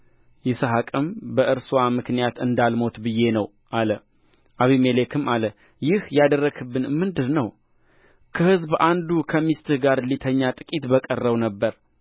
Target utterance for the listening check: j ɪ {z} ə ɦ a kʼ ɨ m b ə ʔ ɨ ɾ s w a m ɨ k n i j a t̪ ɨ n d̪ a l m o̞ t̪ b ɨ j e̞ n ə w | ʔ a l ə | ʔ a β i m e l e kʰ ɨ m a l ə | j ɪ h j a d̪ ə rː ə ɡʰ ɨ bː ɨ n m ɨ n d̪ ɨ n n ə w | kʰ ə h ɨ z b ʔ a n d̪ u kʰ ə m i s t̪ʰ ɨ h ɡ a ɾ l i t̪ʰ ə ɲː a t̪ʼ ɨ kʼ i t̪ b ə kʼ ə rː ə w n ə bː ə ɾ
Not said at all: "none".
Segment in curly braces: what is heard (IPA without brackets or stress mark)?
s